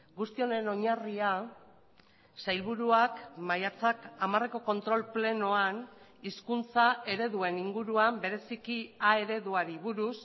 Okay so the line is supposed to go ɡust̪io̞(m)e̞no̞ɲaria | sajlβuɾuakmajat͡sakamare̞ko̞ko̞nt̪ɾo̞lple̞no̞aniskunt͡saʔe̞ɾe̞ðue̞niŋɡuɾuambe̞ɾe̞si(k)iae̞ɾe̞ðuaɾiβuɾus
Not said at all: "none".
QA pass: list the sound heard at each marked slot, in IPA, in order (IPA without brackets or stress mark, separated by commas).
n, k